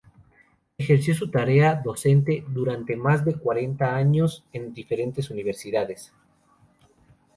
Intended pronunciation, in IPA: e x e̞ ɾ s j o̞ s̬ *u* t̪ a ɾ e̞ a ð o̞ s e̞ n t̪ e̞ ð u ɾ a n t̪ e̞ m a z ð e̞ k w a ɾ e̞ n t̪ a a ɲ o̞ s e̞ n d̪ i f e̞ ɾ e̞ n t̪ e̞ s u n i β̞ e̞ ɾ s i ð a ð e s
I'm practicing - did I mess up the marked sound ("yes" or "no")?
no